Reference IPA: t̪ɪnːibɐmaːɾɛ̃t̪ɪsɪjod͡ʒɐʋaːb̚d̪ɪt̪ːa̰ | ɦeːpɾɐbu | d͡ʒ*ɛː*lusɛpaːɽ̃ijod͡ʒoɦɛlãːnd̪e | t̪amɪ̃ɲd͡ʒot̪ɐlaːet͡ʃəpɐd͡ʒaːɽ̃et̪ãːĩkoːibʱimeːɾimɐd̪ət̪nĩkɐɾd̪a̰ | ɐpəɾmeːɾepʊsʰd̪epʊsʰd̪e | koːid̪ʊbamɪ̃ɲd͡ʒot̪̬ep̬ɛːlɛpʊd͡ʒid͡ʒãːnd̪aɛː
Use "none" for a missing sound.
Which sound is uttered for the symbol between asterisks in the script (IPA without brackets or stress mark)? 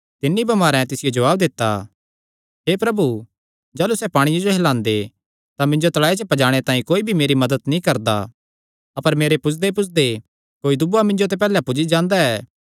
aː